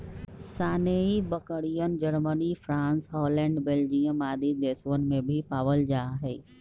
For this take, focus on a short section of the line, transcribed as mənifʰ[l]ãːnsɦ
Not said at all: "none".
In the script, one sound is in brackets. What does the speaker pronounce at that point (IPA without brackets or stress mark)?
ɾ